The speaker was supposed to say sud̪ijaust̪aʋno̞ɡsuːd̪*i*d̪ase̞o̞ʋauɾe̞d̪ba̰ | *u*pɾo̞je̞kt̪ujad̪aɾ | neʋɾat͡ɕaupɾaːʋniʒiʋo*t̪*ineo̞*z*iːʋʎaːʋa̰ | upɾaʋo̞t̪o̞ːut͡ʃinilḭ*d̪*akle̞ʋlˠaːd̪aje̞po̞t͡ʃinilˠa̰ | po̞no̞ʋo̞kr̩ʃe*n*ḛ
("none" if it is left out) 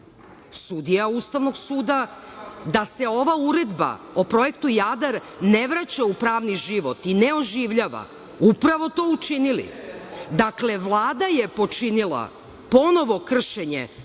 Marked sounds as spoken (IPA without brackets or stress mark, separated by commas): a, o, t̪, ʒ, d̪, ɲ